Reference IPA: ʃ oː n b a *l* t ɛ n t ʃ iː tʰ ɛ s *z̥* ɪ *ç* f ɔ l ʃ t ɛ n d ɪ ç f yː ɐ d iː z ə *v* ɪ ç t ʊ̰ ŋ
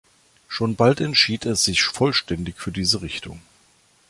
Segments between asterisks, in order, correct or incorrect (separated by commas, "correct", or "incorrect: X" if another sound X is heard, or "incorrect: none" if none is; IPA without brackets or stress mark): correct, correct, correct, incorrect: ʁ